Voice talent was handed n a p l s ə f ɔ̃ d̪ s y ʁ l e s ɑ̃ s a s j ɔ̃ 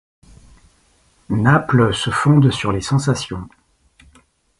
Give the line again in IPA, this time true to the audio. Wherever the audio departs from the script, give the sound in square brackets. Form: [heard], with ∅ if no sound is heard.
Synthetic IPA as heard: n a p l s ə f ɔ̃ d̪ s y ʁ l e s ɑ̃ s a s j ɔ̃